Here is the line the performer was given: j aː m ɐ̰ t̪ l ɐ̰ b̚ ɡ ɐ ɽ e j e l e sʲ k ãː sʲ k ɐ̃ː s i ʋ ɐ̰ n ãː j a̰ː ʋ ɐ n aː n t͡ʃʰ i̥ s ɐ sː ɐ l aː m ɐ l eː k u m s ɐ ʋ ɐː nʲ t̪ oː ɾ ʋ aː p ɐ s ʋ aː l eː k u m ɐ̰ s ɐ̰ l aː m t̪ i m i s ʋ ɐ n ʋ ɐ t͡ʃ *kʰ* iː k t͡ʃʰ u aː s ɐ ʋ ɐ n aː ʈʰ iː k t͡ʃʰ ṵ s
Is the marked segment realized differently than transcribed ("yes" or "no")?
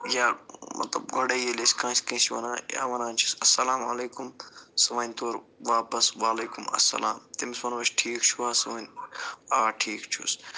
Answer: yes